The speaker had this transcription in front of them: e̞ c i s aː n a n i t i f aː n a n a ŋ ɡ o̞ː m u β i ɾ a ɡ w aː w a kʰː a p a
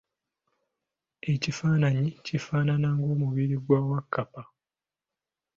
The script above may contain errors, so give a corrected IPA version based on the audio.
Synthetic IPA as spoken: e̞ c i f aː n a ɲ i c i f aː n a n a ŋ ɡ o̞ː m u β i ɾ i ɡ w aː w a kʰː a p a